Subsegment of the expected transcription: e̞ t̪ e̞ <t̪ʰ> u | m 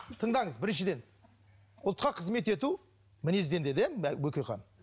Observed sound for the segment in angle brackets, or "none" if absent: t̪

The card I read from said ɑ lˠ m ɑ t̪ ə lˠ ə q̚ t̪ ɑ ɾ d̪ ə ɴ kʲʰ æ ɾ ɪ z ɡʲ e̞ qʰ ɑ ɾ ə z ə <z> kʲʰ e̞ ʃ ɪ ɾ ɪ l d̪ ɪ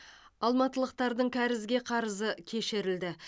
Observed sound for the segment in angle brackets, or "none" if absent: none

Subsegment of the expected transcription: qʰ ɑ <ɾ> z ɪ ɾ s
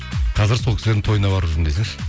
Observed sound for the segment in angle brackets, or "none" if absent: none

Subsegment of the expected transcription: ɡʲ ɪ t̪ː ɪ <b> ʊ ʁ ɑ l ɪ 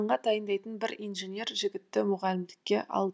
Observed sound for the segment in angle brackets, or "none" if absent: m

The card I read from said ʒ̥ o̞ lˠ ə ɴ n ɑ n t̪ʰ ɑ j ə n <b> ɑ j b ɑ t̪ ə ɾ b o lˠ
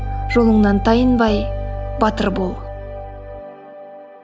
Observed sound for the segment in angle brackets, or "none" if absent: b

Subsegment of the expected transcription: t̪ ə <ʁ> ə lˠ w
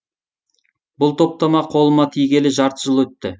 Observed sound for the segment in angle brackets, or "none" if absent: ʒ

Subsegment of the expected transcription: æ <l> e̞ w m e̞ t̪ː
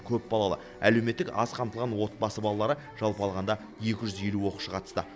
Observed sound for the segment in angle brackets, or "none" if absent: l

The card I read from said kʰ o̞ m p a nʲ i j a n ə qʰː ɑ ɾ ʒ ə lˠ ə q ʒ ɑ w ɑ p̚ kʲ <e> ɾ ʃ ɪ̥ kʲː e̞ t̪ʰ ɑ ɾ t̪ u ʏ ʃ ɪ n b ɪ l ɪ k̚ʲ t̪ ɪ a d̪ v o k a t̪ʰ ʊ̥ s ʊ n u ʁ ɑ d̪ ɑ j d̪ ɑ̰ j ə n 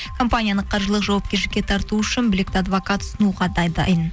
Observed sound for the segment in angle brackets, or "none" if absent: e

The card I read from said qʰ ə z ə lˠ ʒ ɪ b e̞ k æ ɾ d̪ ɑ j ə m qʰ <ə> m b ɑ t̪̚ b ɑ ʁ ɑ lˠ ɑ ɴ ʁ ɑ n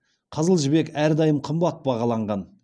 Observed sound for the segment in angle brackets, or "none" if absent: ə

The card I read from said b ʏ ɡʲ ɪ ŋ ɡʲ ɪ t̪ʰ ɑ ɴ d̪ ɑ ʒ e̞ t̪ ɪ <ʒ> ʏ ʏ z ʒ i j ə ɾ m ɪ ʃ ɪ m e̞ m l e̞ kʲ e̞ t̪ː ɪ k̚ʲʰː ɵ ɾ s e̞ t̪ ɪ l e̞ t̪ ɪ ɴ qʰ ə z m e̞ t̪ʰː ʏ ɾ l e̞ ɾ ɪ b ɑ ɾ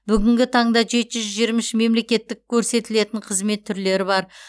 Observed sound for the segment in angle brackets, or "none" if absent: ʒ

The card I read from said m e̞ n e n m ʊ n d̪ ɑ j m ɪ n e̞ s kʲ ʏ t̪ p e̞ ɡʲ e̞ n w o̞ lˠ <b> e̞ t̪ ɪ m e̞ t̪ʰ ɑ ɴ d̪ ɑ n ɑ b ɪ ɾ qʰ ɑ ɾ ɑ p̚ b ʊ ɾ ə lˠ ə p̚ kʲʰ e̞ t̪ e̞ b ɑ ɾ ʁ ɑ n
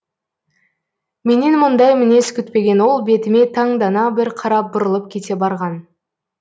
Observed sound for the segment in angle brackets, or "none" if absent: b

